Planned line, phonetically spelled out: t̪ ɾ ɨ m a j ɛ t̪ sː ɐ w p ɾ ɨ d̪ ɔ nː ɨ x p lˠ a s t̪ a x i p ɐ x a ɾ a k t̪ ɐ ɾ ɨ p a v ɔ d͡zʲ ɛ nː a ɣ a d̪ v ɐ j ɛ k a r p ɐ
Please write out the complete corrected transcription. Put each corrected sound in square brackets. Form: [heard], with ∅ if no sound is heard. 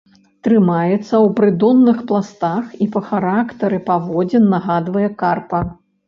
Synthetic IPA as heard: t̪ ɾ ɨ m a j ɛ t̪ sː ɐ w p ɾ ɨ d̪ ɔ nː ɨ x p lˠ a s t̪ a x i p ɐ x a ɾ a k t̪ ɐ ɾ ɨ p a v ɔ d͡zʲ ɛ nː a ɣ a d̪ v ɐ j ɛ k a r p ɐ